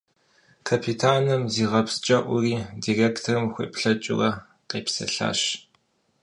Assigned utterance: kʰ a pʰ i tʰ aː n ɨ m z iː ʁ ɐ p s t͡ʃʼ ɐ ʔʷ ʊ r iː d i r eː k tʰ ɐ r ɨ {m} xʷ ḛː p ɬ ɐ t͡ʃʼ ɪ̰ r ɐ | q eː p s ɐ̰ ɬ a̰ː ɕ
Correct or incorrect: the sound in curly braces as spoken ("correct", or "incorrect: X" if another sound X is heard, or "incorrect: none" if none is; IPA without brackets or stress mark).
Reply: correct